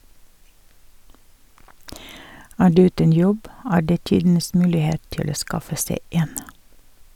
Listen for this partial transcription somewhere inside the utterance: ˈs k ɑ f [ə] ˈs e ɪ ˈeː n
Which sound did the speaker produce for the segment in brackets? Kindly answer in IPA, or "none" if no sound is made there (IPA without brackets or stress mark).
ə